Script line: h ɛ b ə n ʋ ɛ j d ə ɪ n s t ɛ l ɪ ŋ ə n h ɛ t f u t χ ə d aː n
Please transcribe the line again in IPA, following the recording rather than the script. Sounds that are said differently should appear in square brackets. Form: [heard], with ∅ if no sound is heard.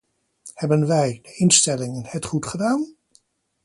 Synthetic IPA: h ɛ b ə n ʋ ɛ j d ə ɪ n s t ɛ l ɪ ŋ ə n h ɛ t [χ] u t χ ə d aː n

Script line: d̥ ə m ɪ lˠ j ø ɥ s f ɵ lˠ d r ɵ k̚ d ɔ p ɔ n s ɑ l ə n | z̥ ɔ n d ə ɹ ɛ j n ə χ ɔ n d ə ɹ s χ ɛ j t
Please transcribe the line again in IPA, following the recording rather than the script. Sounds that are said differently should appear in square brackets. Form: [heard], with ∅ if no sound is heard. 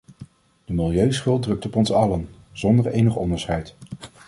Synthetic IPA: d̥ ə m ɪ lˠ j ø ɥ s [χ] ɵ lˠ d r ɵ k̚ [t] ɔ p ɔ n s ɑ l ə n | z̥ ɔ n d ə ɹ [e] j n ə χ ɔ n d ə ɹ s χ ɛ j t

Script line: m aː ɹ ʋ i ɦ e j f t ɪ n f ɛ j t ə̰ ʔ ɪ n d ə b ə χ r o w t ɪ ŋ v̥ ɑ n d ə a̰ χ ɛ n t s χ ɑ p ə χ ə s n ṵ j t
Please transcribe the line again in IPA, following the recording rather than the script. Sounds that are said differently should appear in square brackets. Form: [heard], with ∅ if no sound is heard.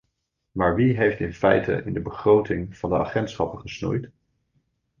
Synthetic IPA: m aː ɹ ʋ i ɦ e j f t ɪ n f ɛ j t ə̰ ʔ ɪ n d ə b ə χ r o w t ɪ ŋ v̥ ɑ n d ə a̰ χ ɛ n t s χ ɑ p ə χ ə s n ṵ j t

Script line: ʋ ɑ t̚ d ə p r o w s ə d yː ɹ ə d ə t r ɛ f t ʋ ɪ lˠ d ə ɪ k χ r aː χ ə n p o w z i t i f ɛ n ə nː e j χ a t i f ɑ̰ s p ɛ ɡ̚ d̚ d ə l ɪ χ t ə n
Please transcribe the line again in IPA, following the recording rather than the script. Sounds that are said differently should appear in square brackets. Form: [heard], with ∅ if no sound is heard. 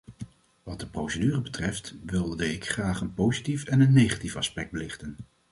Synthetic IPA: ʋ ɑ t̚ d ə p r o w s ə d yː [r] ə [b] ə t r ɛ f t ʋ ɪ lˠ d ə ɪ k χ r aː χ ə n p o w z i t i f ɛ n ə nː e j χ a t i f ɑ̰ s p ɛ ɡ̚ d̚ [b] ə l ɪ χ t ə n

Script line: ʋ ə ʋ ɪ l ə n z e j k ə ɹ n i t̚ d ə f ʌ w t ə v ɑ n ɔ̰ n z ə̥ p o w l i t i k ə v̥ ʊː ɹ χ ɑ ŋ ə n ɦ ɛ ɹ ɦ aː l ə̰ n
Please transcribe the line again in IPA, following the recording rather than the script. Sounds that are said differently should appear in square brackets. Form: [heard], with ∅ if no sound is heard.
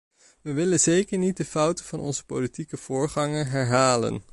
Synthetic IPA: ʋ ə ʋ ɪ l ə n z e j k ə ɹ n i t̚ d ə f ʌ w t ə v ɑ n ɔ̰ n z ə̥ p o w l i t i k ə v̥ ʊː ɹ χ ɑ ŋ ə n ɦ ɛ ɹ ɦ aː l ə̰ n

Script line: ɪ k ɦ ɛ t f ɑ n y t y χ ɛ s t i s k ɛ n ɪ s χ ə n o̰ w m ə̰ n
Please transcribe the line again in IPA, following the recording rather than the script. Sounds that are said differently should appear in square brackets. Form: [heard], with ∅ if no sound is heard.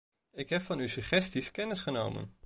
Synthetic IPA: ɪ k ɦ ɛ [p] f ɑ n y [s] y χ ɛ s t i s k ɛ n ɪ s χ ə n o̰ w m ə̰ n

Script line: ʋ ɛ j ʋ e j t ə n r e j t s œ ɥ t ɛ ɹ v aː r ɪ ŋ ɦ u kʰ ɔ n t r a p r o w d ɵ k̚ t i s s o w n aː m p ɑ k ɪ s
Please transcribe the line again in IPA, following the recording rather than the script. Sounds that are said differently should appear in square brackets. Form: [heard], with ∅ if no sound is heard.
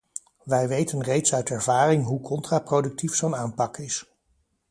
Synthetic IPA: ʋ ɛ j ʋ e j t ə n r e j t s œ ɥ t ɛ ɹ v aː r ɪ ŋ ɦ u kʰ ɔ n t r a p r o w d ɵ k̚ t i [f] s o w n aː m p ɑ k ɪ s

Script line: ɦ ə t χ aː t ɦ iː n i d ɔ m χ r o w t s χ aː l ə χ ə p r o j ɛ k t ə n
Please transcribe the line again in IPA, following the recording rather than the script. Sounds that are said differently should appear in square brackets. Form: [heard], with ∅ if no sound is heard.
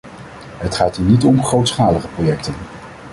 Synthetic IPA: ɦ ə t χ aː t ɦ iː n i [t] ɔ m χ r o w t s χ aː l ə χ ə p r o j ɛ k t ə n

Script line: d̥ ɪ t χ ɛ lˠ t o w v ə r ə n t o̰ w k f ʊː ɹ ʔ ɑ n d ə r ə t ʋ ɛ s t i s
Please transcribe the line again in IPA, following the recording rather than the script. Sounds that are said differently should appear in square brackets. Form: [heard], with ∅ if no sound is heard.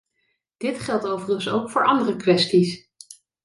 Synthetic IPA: d̥ ɪ t χ ɛ lˠ t o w v ə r ə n [s] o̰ w k f ʊː ɹ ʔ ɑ n d ə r ə [k] ʋ ɛ s t i s

